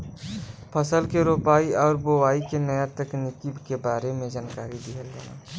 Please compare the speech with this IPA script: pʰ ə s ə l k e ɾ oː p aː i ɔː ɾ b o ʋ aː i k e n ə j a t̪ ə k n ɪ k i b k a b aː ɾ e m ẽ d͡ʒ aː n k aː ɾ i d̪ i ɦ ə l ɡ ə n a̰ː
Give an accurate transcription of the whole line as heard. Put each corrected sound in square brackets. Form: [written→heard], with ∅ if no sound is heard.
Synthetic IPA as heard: pʰ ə s ə l k e ɾ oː p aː i ɔː ɾ b o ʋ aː i k e n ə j a t̪ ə k n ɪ k i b k [a→e] b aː ɾ e m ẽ d͡ʒ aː n k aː ɾ i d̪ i ɦ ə l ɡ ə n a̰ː